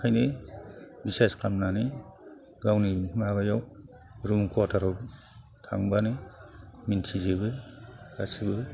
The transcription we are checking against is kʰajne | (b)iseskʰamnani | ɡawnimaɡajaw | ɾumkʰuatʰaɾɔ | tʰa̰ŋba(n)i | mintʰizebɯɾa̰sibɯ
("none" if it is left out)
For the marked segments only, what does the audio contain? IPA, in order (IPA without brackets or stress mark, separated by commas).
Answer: b, n